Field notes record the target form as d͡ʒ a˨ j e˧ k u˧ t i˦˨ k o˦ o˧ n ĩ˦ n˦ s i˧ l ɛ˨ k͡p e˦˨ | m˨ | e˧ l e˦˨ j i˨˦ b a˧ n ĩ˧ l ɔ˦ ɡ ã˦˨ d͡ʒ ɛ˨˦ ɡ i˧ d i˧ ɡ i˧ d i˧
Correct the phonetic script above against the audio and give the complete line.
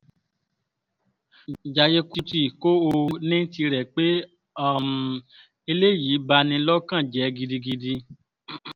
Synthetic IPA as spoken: d͡ʒ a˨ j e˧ k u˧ t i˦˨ k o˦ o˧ n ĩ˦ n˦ t i˧ ɾ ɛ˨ k͡p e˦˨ | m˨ | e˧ l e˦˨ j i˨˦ b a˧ n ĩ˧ l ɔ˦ k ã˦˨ d͡ʒ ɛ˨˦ ɡ i˧ d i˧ ɡ i˧ d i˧